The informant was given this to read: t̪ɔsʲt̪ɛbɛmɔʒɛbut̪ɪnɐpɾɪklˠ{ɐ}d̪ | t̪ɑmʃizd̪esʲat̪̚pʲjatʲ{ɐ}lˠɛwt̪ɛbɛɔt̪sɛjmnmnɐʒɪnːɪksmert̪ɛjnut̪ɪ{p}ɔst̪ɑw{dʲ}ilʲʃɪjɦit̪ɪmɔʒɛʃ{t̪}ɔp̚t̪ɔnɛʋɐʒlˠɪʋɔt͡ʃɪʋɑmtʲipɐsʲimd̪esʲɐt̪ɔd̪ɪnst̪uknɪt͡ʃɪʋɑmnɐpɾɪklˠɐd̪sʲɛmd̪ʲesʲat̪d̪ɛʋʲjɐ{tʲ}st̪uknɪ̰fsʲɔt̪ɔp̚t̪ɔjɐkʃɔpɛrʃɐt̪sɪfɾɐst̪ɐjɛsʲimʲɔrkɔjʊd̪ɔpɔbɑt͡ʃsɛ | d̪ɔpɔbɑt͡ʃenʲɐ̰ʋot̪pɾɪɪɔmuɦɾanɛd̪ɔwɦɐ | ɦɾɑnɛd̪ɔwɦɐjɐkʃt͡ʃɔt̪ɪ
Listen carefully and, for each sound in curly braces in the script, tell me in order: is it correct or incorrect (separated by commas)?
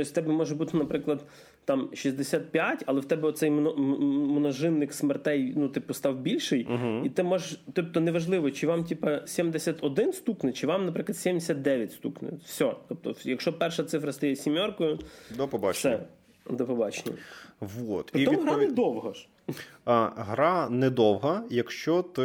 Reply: correct, correct, correct, incorrect, correct, correct